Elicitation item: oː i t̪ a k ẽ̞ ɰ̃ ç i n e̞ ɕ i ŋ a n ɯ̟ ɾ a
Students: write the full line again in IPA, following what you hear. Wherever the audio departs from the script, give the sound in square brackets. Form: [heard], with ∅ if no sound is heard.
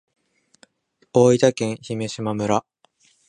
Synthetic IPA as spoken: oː i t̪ a k ẽ̞ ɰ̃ ç i [m] e̞ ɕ i [m] a [m] ɯ̟ ɾ a

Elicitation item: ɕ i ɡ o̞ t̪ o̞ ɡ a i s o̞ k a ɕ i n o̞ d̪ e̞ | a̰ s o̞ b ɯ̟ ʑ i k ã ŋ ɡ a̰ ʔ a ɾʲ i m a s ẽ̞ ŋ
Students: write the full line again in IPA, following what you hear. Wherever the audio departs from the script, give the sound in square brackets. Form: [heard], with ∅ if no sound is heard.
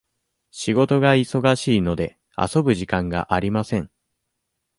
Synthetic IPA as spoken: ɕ i ɡ o̞ t̪ o̞ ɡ a i s o̞ [ɡ] a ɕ [iː] n o̞ d̪ e̞ | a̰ s o̞ b ɯ̟ ʑ i k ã ŋ ɡ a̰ ʔ a ɾʲ i m a s ẽ̞ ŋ

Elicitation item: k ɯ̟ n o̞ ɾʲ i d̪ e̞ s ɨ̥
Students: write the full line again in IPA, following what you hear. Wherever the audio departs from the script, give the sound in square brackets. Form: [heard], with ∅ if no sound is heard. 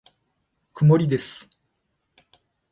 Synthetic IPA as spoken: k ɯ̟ [m] o̞ ɾʲ i d̪ e̞ s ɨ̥

